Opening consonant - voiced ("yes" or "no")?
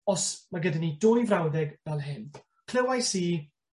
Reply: no